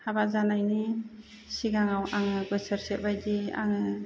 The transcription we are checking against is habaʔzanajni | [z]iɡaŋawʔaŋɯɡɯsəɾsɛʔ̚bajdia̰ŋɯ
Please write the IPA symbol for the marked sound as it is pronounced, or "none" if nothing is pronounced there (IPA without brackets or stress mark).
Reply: s